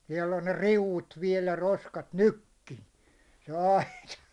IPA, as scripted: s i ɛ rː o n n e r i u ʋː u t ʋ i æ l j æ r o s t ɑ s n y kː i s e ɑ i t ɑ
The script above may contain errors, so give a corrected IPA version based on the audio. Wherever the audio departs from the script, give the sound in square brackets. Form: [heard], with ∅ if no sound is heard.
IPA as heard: s i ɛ [lː] o n n e r i u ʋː u t ʋ i [ɛ] l j æ r o s [k] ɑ [t] n y kː i s e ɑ i t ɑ